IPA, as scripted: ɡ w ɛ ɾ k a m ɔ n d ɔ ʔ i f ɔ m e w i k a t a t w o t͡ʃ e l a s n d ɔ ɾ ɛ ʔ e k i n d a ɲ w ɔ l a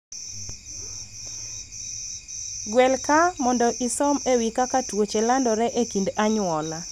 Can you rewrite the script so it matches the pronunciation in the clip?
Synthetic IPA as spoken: ɡ w ɛ l k a m ɔ n d ɔ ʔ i s ɔ m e w i k a k a t w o t͡ʃ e l a n d ɔ ɾ ɛ ʔ e k i n d a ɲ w ɔ l a

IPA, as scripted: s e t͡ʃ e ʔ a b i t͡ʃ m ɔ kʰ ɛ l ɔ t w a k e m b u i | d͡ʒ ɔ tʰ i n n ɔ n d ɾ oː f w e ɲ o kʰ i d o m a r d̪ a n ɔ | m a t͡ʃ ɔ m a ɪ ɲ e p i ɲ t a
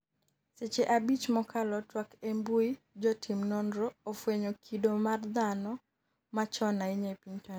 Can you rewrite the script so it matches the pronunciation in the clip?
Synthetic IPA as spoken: s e t͡ʃ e ʔ a b i t͡ʃ m ɔ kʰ a l ɔ t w a k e m b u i | d͡ʒ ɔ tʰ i m n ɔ n d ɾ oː f w e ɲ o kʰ i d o m a r d̪ a n ɔ | m a t͡ʃ ɔ n a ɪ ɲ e p i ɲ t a

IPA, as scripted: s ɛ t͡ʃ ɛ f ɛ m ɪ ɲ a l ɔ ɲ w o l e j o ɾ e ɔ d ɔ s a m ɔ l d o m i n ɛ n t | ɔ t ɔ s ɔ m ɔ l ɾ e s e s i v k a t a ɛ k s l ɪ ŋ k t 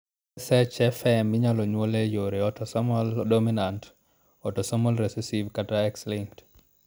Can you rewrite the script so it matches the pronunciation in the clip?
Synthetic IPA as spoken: s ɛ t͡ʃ ɛ f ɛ m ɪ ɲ a l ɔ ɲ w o l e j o ɾ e ɔ t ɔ s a m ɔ l d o m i n a n t | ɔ t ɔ s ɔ m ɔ l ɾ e s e s i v k a t a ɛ k s l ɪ ŋ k t

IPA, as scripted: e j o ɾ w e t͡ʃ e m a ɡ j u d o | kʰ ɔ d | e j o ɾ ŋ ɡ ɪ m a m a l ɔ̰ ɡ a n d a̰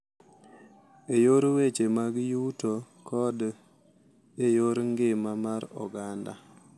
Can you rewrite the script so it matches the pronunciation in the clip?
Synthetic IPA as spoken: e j o ɾ w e t͡ʃ e m a ɡ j u t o | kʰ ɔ d | e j o ɾ ŋ ɡ ɪ m a m a ɾ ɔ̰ ɡ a n d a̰

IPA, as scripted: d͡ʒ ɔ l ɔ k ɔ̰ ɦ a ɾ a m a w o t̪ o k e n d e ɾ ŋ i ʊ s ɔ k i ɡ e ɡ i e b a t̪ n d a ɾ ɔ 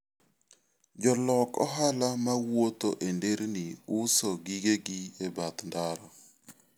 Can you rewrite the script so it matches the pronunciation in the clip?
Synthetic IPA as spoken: d͡ʒ ɔ l ɔ k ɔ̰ ɦ a l a m a w o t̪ o ʔ e n d e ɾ n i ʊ s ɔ ɡ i ɡ e ɡ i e b a t̪ n d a ɾ ɔ

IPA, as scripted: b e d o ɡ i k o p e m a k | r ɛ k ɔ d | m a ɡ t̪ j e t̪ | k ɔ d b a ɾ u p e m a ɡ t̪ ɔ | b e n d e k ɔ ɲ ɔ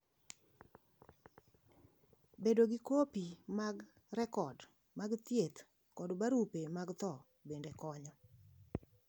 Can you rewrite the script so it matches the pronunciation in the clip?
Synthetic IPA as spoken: b e d o ɡ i k o p i m a ɡ | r ɛ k ɔ d | m a ɡ t̪ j e t̪ | k ɔ d b a ɾ u p e m a ɡ t̪ ɔ | b e n d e k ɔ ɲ ɔ

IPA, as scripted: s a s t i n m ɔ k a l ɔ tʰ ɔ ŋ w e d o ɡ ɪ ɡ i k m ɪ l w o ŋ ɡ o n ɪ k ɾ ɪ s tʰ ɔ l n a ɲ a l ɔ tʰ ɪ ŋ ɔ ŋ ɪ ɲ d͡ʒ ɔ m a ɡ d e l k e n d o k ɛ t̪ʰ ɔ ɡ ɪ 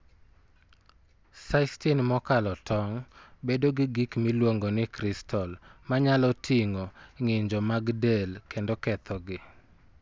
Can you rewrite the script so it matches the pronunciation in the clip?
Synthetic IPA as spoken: s a s t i n m ɔ k a l ɔ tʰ ɔ ŋ b e d o ɡ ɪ ɡ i k m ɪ l w o ŋ ɡ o n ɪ k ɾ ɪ s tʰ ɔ l m a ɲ a l ɔ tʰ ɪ ŋ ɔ ŋ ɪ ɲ d͡ʒ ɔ m a ɡ d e l k e n d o k ɛ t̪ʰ ɔ ɡ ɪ

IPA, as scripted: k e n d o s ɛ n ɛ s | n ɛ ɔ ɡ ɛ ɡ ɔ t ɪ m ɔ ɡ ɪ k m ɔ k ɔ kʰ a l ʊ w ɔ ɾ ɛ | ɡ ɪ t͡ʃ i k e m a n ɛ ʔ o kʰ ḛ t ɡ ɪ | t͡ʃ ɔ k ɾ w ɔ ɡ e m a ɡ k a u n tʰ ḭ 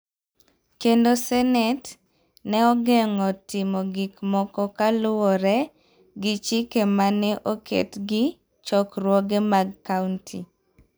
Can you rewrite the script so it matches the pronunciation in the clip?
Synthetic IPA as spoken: k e n d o s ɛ n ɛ t | n ɛ ɔ ɡ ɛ ŋ ɔ t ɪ m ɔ ɡ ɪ k m ɔ k ɔ k a l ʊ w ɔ ɾ ɛ | ɡ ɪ t͡ʃ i k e m a n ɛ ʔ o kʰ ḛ t ɡ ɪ | t͡ʃ ɔ k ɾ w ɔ ɡ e m a ɡ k a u n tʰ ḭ

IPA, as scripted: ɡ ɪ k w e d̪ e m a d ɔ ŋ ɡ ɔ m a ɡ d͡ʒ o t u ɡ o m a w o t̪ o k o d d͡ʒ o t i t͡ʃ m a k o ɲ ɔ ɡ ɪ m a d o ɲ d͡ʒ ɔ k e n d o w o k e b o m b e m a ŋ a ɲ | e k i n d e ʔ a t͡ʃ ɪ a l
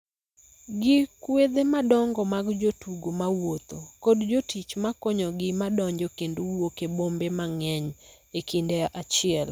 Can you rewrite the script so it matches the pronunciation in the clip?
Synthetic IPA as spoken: ɡ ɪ k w e d̪ e m a d ɔ ŋ ɡ ɔ m a ɡ d͡ʒ o t u ɡ o m a w o t̪ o k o d d͡ʒ o t i t͡ʃ m a k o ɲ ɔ ɡ ɪ m a d ɔ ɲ d͡ʒ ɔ k e n d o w o k e b o m b e m a ŋ ɛ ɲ | e k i n d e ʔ a t͡ʃ ɪ ɛ l

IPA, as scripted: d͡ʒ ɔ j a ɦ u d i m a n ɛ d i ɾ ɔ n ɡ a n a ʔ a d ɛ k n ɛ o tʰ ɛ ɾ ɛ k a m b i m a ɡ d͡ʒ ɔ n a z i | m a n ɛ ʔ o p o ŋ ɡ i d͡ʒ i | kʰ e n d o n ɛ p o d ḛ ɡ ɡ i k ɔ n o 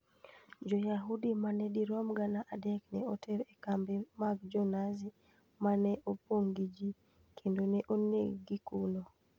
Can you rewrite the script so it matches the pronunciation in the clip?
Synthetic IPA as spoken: d͡ʒ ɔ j a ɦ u d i m a n ɛ d i ɾ ɔ m ɡ a n a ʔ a d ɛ k n ɛ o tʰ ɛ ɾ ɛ k a m b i m a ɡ d͡ʒ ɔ n a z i | m a n ɛ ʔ o p o ŋ ɡ i d͡ʒ i | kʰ e n d o n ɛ ʔ o n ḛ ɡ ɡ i k u n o

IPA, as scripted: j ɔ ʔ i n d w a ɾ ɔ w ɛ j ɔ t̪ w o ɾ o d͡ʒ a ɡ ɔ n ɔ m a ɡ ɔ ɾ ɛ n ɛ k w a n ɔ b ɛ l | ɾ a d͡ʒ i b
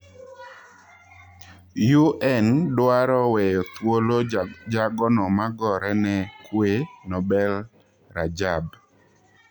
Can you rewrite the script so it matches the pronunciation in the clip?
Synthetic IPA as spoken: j u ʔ ɛ n d w a ɾ ɔ w ɛ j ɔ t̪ w o l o d͡ʒ a ɡ ɔ n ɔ m a ɡ ɔ ɾ ɛ n ɛ k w e n ɔ b ɛ l | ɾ a d͡ʒ a b

